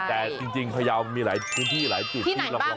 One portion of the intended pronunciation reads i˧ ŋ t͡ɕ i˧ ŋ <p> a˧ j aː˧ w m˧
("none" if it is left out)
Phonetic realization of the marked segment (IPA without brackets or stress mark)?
pʰ